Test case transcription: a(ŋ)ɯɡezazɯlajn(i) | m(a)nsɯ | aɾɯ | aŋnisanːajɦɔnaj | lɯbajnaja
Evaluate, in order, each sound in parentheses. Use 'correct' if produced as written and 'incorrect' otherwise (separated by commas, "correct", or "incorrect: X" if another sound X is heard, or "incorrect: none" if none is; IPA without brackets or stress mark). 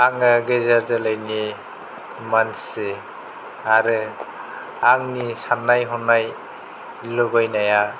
correct, correct, correct